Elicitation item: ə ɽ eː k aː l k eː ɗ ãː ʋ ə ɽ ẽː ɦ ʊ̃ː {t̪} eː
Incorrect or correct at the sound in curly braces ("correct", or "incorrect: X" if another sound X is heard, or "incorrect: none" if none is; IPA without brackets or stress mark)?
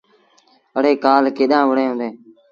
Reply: incorrect: d̪